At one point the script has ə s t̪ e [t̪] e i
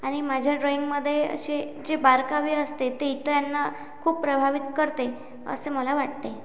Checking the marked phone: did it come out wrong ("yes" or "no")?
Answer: no